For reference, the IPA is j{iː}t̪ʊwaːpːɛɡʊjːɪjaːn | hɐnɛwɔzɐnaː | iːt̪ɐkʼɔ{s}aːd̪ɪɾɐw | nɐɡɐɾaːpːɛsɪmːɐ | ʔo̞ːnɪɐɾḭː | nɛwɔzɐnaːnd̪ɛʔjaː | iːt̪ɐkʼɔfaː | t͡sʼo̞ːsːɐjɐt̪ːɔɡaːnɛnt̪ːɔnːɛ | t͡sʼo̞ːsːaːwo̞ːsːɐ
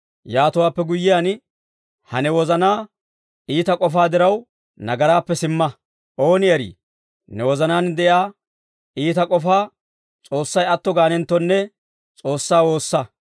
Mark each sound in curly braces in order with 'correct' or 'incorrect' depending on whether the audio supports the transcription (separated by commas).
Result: incorrect, incorrect